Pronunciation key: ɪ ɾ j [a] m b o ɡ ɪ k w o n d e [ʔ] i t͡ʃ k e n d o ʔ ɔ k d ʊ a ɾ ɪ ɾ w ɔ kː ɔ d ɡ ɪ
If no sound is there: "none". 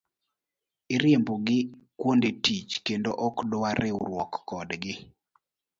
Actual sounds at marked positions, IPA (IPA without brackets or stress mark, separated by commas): e, t